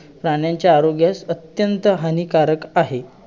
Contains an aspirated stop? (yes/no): no